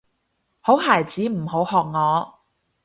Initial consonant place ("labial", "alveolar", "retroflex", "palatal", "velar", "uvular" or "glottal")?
glottal